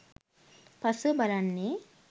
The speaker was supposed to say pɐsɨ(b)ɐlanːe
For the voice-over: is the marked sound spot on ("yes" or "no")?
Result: yes